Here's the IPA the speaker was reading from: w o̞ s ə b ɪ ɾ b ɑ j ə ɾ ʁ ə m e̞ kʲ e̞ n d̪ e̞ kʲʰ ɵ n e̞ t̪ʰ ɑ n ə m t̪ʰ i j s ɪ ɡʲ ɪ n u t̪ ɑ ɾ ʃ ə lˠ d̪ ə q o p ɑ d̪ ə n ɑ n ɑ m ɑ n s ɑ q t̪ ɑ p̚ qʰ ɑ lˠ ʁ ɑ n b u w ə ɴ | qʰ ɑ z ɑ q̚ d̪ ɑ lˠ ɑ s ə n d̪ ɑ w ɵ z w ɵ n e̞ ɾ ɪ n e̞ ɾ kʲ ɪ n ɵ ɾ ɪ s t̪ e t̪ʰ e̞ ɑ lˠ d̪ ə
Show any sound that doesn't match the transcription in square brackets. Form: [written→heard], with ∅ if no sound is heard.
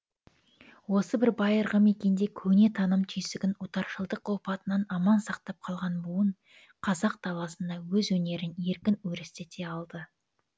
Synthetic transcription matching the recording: w o̞ s ə b ɪ ɾ b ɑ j ə ɾ ʁ ə m e̞ kʲ e̞ n d̪ e̞ kʲʰ ɵ n e̞ t̪ʰ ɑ n ə m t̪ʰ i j s ɪ ɡʲ ɪ n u t̪ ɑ ɾ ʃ ə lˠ d̪ ə q o p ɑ [d̪→t̪] ə n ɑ n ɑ m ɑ n s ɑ q t̪ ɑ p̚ qʰ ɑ lˠ ʁ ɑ n b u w ə ɴ | qʰ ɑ z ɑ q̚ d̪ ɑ lˠ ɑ s ə n d̪ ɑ w ɵ z w ɵ n e̞ ɾ ɪ n e̞ ɾ kʲ ɪ n ɵ ɾ ɪ s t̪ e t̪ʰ e̞ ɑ lˠ d̪ ə